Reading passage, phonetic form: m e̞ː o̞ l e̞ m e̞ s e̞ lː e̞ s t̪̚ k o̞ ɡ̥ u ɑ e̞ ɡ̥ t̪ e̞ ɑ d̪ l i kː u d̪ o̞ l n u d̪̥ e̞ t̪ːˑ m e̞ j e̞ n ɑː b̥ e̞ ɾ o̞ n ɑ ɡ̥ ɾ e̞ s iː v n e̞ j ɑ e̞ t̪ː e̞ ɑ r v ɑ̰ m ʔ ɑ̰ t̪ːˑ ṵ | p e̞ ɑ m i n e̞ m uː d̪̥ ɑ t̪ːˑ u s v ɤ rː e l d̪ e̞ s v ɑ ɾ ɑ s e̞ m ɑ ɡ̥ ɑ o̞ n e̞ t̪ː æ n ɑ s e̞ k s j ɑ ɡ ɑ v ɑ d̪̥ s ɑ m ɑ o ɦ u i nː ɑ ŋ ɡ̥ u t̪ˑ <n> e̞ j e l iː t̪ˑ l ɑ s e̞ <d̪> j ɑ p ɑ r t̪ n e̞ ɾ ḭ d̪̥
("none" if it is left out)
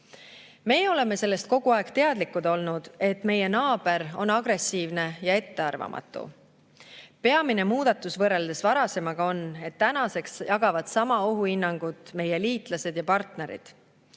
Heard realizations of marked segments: m, d̪

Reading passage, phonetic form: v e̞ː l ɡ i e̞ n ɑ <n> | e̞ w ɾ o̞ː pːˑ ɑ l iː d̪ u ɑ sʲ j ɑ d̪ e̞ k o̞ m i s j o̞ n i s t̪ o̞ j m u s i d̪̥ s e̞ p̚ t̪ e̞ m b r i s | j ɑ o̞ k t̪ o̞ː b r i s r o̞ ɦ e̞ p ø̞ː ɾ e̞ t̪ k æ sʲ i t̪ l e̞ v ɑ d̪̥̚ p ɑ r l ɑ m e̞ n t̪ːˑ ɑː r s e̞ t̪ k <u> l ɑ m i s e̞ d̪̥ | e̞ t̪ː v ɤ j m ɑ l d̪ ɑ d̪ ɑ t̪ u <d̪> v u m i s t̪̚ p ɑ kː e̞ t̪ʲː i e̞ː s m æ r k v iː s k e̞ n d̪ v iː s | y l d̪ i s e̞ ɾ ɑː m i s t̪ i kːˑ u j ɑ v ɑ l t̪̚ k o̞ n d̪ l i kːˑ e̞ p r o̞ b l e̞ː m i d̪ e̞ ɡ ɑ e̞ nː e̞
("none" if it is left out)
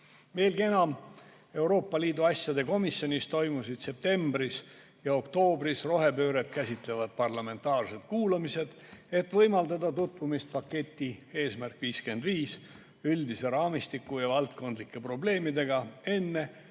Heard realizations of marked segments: m, uː, t̪

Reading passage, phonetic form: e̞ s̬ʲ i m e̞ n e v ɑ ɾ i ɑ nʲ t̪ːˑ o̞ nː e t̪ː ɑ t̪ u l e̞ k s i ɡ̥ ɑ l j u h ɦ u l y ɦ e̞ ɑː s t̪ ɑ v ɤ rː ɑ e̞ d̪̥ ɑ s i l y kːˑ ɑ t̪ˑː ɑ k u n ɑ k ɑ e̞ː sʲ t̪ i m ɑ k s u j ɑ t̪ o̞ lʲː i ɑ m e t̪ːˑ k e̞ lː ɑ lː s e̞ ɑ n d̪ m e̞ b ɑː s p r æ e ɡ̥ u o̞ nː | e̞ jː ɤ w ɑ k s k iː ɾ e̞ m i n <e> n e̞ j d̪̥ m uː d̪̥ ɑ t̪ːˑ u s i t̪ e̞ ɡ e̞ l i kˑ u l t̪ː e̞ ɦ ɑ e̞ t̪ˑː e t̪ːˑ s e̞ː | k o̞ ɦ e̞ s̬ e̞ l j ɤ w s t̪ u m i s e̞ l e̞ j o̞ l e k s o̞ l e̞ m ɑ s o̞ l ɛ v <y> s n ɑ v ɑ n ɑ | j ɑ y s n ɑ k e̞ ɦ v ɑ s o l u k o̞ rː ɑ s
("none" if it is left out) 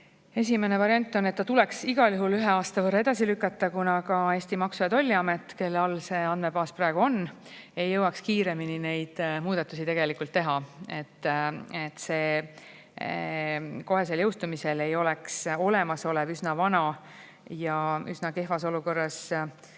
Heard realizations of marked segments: i, y

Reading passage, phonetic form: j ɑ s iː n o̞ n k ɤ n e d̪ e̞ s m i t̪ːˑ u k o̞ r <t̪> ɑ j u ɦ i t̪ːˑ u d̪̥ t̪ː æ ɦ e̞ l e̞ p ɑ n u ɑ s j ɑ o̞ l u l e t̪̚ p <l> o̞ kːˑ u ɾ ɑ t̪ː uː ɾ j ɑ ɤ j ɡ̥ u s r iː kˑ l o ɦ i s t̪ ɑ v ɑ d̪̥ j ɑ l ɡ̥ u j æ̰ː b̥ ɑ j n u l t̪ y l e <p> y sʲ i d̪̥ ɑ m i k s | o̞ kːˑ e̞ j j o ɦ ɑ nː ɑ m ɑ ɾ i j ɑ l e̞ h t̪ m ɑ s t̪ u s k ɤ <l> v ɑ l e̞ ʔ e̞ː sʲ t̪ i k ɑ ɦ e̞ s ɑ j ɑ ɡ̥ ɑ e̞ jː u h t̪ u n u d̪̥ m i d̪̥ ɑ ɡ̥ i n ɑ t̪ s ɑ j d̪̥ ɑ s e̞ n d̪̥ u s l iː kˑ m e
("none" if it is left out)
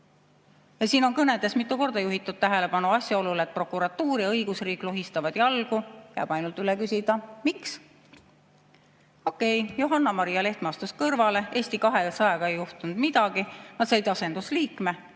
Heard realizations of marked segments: d̪, r, k, r

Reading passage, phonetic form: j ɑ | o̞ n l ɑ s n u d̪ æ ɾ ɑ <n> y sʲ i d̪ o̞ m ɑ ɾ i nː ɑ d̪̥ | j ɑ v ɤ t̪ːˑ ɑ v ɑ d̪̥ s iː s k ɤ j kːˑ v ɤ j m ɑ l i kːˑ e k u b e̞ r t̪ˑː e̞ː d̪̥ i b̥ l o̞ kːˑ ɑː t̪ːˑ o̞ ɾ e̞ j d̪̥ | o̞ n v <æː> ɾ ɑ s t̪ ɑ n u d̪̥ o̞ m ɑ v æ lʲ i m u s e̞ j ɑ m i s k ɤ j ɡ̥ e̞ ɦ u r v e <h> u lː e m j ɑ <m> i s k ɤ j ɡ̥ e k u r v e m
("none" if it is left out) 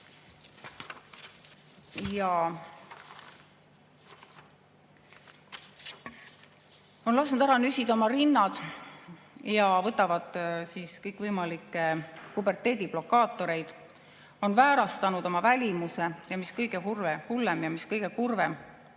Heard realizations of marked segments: n, æː, h, m

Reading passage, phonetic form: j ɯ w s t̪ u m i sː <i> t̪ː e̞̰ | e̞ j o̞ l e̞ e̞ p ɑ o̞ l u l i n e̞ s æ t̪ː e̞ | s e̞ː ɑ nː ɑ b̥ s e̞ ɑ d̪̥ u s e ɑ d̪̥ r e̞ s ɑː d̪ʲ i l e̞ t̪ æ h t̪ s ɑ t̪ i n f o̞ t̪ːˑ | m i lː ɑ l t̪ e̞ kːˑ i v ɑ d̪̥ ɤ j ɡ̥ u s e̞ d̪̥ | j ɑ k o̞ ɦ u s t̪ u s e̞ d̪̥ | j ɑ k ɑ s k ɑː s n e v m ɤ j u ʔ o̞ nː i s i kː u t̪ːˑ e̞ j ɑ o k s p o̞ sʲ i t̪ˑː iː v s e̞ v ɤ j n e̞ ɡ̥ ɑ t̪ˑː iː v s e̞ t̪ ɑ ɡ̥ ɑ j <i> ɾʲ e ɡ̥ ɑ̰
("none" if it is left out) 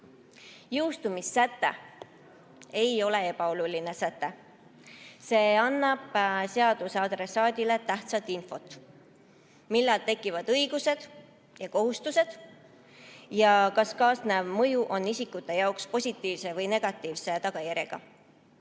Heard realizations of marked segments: æ, æ

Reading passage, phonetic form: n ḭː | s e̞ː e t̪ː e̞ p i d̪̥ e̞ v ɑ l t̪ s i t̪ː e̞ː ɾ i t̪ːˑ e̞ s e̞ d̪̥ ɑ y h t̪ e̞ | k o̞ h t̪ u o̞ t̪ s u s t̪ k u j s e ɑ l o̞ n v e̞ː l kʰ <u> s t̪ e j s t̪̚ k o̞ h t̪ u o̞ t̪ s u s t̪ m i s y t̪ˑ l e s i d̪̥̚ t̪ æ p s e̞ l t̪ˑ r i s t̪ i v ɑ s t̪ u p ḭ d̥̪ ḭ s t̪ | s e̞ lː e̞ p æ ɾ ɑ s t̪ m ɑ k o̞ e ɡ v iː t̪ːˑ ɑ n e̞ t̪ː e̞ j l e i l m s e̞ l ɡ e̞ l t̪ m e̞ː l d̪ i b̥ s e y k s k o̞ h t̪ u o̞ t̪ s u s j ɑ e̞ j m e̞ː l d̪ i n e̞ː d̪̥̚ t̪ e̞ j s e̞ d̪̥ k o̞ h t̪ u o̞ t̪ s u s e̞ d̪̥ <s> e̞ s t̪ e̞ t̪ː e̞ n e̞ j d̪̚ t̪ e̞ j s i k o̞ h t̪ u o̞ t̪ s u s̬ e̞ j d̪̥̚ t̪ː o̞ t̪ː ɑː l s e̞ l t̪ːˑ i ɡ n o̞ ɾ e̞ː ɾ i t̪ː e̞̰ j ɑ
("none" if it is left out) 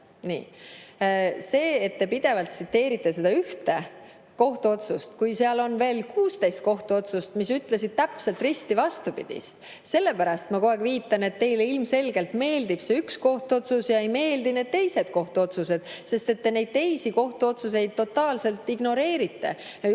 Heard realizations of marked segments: uː, s

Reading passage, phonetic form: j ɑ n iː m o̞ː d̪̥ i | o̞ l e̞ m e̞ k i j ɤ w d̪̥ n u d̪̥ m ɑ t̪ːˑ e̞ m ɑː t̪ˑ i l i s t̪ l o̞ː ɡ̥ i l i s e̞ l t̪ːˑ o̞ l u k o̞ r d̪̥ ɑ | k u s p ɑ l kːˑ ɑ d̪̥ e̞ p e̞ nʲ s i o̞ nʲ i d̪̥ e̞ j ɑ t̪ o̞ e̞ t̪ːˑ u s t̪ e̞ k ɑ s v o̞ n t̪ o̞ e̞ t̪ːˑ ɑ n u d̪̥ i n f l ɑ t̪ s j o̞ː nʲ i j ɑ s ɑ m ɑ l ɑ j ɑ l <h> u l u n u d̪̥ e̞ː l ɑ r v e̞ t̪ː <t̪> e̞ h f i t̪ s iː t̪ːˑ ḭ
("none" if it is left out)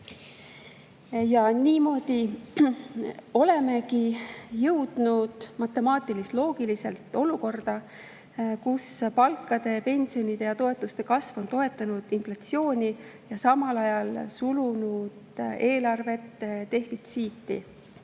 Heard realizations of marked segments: s, t̪

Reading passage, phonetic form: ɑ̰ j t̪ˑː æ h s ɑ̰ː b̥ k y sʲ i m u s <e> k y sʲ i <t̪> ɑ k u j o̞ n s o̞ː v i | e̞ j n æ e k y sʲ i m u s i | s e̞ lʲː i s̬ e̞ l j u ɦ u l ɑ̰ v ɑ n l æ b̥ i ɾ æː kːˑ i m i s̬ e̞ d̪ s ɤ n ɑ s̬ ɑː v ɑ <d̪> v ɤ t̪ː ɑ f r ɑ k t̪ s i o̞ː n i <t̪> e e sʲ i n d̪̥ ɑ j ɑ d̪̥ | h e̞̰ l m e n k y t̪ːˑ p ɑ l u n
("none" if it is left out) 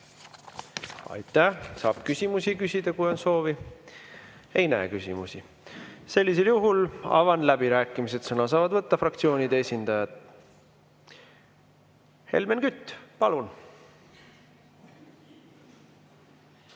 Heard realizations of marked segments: i, d̪, d̪, d̪

